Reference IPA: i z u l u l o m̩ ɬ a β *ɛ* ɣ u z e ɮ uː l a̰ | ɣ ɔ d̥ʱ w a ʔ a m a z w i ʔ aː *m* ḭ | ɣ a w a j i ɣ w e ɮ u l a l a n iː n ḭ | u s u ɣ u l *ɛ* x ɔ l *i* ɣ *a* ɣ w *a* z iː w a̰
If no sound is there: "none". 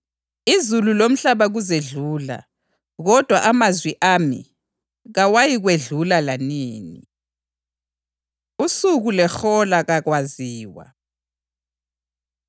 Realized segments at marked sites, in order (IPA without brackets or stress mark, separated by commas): a, m, ɛ, a, a, a